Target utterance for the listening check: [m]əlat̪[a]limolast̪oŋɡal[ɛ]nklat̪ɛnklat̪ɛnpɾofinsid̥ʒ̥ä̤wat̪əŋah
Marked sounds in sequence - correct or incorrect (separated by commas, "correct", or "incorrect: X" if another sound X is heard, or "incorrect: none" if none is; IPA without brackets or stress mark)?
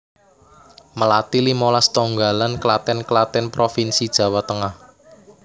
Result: correct, incorrect: i, incorrect: a